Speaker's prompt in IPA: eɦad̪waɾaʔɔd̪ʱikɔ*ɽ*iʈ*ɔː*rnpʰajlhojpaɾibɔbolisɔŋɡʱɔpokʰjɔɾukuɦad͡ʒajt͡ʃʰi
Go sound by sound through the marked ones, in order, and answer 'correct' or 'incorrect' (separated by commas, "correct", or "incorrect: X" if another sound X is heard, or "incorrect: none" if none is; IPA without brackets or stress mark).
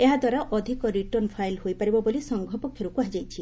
incorrect: ɾ, incorrect: ɔ